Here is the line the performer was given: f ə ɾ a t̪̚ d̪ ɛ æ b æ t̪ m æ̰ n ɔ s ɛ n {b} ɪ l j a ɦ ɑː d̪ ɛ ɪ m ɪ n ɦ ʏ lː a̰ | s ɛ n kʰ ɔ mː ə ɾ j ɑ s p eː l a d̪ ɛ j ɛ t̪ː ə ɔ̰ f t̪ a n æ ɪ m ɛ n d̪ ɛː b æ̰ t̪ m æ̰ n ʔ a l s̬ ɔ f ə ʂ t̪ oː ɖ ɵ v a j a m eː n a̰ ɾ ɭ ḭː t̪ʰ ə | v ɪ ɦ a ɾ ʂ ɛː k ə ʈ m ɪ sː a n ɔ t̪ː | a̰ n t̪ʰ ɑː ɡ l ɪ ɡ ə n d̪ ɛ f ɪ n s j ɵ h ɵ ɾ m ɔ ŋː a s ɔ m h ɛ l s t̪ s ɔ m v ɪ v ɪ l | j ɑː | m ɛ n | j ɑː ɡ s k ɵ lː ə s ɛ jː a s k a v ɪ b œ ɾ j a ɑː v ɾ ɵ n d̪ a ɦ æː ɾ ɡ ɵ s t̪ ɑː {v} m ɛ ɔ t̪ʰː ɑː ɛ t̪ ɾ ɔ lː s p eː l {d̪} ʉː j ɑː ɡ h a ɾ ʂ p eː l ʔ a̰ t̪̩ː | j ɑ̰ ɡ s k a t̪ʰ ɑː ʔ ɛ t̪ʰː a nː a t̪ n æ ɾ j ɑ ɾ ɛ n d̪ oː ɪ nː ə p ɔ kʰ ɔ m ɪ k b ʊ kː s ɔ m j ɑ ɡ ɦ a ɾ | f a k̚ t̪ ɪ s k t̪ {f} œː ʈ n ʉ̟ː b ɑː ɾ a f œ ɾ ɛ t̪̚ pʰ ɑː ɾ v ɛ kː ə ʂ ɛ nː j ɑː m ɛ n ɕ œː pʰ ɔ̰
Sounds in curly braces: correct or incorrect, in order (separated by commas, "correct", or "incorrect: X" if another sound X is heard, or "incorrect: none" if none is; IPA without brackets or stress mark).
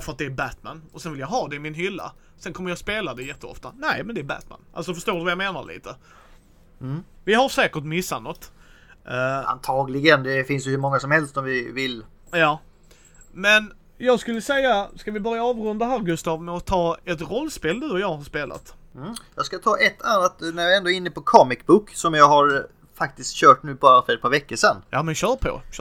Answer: incorrect: v, correct, correct, incorrect: ɕ